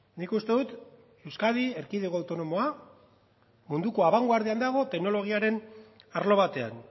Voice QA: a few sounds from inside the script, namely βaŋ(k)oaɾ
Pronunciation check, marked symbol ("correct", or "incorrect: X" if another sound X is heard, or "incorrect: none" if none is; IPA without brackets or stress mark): incorrect: ɡ